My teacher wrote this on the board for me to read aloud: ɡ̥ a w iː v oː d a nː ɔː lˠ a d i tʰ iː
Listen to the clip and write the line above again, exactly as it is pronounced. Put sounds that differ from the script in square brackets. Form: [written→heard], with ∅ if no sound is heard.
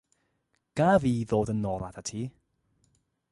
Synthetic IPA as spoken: ɡ̥ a [w→v] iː [v→ð] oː d [a→ə] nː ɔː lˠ a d [i→a] tʰ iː